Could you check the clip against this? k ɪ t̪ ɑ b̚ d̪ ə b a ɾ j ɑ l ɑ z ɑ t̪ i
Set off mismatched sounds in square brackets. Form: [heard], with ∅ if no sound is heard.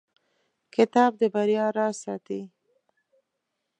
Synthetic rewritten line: k ɪ t̪ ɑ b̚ d̪ ə b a ɾ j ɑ [ɾ] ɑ [s] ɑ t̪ i